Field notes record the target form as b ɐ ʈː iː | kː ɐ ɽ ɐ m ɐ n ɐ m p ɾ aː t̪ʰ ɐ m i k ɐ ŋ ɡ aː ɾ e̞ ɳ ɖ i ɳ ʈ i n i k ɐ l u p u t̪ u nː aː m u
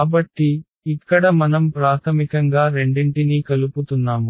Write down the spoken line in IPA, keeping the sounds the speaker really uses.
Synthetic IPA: b ɐ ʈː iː | kː ɐ ɽ ɐ m ɐ n ɐ m p ɾ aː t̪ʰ ɐ m i k ɐ ŋ ɡ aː ɾ e̞ ɳ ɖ i ɳ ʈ i n i k ɐ l u p u t̪ u nː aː m u